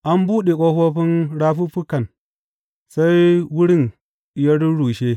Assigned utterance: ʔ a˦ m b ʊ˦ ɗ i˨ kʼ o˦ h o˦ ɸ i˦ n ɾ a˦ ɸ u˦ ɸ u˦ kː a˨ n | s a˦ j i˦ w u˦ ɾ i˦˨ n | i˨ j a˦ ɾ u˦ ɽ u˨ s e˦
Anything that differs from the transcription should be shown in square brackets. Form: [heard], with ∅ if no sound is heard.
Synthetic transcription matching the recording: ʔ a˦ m b [u˦] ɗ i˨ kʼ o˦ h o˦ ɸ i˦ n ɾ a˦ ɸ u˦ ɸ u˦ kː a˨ n | s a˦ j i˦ w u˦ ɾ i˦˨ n | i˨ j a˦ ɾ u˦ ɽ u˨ [ʃ] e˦